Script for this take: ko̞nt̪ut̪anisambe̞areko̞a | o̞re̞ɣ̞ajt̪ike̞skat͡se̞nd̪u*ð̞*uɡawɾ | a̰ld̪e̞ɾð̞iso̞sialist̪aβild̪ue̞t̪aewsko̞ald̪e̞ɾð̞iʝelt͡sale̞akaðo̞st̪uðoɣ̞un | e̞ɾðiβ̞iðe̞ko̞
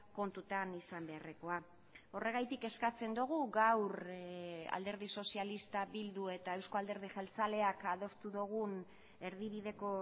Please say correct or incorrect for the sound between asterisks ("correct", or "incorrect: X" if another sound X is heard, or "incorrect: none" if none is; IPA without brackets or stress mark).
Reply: incorrect: ɣ̞